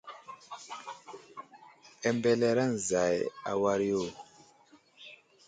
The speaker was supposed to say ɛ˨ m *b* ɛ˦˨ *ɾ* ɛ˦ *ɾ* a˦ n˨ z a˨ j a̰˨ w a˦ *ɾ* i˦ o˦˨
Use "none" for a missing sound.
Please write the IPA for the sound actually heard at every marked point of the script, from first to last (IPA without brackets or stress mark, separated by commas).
b, l, ɾ, ɾ